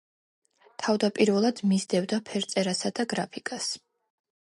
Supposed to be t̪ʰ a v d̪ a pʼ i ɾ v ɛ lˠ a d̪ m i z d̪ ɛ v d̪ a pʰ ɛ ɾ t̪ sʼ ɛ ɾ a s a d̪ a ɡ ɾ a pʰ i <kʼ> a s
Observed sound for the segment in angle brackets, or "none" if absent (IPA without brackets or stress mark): kʼ